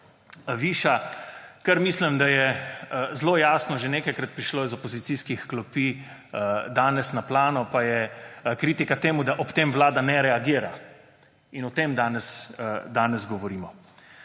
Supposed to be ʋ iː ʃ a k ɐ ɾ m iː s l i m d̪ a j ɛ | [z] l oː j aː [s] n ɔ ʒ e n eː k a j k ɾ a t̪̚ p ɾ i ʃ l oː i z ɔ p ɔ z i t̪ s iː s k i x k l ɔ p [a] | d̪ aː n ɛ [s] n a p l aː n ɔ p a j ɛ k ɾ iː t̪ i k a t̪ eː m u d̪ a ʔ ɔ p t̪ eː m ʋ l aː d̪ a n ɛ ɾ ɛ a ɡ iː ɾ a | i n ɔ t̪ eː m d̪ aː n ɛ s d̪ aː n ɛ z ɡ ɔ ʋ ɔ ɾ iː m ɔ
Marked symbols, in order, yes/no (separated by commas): yes, yes, no, yes